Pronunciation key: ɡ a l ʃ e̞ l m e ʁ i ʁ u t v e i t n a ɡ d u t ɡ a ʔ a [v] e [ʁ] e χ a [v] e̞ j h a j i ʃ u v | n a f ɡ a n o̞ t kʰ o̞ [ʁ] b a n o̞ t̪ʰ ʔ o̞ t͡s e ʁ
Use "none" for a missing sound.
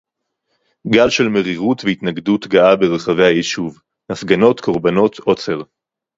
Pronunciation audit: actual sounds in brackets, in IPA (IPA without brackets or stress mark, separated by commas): b, ʁ, v, ʁ